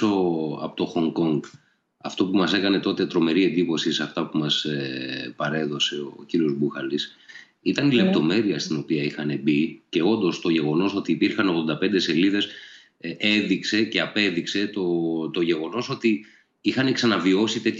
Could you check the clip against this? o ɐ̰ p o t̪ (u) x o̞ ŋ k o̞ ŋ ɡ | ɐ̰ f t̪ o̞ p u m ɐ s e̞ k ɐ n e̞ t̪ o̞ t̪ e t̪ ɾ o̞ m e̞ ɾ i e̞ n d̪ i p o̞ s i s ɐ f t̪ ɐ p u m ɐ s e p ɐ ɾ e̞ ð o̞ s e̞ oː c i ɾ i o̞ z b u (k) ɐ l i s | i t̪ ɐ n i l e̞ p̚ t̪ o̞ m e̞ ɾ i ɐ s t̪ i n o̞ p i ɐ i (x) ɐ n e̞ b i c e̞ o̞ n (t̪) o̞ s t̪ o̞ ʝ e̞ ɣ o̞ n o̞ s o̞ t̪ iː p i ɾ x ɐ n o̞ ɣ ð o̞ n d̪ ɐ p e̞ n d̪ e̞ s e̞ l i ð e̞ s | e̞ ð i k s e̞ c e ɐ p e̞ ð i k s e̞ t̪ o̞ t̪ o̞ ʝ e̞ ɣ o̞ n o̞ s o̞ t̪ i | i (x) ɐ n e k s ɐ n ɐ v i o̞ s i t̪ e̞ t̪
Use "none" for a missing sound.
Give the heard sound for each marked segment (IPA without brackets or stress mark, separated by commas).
o, x, x, d̪, x